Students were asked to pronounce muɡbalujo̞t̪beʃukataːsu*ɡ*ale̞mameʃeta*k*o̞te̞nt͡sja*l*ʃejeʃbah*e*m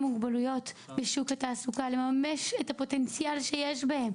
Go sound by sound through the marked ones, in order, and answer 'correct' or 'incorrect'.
incorrect, incorrect, correct, correct

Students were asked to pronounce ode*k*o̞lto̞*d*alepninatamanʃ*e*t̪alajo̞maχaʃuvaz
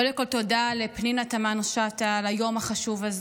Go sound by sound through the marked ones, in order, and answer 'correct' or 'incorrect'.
correct, correct, incorrect

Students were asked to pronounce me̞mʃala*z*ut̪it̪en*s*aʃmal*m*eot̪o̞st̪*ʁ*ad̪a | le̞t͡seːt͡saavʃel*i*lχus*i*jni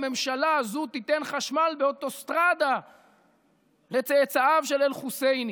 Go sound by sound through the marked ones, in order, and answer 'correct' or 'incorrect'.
correct, incorrect, incorrect, correct, incorrect, incorrect

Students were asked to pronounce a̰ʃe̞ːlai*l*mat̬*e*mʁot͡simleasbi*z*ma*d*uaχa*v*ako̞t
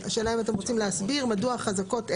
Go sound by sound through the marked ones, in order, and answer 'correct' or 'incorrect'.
incorrect, correct, incorrect, correct, incorrect

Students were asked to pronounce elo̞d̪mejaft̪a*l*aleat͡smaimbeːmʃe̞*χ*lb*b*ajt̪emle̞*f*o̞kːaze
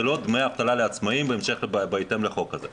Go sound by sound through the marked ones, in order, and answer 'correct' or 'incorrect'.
correct, correct, correct, incorrect

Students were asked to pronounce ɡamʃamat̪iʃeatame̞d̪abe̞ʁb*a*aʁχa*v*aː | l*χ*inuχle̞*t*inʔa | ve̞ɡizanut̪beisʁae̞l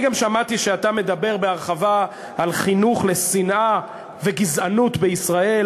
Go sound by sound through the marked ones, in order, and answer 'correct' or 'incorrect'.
incorrect, correct, correct, incorrect

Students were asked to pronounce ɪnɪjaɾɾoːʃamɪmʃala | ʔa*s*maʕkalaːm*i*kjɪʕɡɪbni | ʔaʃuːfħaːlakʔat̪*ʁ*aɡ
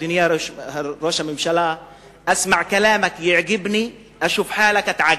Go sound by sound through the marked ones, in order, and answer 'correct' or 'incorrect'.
correct, incorrect, incorrect

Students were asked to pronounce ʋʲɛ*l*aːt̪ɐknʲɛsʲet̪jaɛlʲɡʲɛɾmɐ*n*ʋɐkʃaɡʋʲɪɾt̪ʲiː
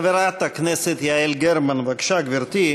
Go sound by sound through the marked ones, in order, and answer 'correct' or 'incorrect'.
incorrect, correct

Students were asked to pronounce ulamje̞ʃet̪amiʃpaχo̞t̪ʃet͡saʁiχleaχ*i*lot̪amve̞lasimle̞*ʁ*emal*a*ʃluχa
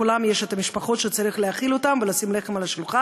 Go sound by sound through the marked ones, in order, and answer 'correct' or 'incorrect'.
correct, incorrect, correct

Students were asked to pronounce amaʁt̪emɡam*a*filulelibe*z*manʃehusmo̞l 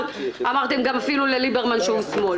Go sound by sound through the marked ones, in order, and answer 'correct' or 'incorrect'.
correct, incorrect

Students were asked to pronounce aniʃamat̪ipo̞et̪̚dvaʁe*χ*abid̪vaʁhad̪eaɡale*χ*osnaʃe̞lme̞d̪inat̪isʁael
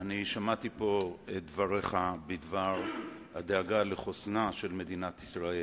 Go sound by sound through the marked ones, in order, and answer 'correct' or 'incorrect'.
correct, correct

